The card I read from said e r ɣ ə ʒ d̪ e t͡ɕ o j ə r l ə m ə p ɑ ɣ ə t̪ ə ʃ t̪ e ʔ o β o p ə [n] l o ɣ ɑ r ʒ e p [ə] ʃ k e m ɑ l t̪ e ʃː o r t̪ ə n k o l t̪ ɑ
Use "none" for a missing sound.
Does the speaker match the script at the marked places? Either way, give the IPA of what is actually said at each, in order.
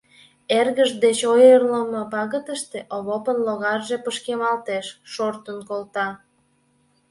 n, ə

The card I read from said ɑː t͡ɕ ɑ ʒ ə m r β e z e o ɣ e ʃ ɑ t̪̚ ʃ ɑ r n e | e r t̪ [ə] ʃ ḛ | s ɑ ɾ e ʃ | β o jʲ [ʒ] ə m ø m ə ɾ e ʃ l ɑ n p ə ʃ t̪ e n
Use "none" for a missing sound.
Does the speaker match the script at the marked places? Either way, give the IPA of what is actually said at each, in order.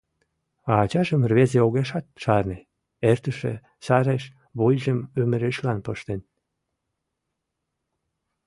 ə, ʒ

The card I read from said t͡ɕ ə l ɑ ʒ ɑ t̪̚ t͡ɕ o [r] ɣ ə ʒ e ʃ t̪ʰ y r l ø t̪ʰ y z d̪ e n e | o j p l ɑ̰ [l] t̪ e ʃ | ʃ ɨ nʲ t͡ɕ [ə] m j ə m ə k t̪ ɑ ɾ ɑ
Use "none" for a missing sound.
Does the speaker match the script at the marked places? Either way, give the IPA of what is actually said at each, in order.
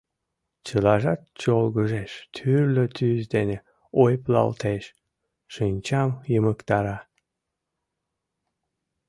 l, l, ɑ

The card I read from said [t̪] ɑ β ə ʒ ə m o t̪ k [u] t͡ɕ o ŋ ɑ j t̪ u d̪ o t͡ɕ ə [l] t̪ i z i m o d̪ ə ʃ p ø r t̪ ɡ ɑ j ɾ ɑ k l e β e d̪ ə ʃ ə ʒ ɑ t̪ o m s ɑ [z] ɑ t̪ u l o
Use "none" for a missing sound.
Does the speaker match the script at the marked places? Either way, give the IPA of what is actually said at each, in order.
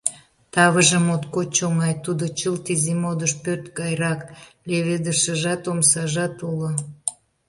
t̪, o, l, ʒ

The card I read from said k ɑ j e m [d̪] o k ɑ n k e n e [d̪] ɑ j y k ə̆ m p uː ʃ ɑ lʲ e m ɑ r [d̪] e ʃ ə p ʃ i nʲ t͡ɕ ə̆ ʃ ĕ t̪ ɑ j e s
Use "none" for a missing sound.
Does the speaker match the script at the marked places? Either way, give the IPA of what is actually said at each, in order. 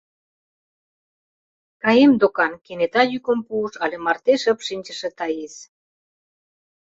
d̪, t̪, t̪

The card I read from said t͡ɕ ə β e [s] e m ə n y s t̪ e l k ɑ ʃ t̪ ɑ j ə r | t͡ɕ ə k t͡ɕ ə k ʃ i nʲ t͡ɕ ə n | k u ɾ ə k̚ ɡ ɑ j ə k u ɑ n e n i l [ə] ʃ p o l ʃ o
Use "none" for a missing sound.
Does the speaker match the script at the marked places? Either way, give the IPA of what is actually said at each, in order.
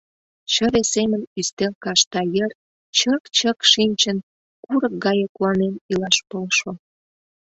s, ɑ

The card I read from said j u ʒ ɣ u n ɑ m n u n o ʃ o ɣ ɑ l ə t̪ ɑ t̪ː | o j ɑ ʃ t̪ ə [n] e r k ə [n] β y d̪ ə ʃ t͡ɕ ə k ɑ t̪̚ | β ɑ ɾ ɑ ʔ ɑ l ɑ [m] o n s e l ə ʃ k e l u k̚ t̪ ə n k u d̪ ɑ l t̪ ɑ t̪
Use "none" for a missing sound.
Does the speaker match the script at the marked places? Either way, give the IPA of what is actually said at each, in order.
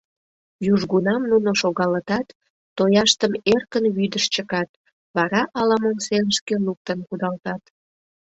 m, n, m

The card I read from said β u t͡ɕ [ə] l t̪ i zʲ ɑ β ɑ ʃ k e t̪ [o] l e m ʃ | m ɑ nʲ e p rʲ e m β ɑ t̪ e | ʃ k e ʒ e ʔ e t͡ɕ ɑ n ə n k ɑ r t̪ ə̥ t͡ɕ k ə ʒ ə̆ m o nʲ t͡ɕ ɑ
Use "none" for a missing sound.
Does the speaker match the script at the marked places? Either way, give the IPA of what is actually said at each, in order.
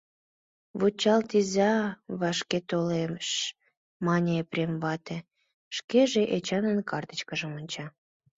ɑ, o

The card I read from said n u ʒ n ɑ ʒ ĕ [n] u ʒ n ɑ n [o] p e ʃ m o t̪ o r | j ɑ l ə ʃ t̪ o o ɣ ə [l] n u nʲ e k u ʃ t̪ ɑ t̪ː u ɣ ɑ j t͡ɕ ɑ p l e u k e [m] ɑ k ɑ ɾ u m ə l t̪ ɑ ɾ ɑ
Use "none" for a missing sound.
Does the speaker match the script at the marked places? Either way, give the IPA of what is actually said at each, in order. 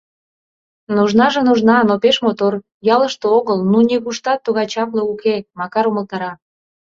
n, o, l, m

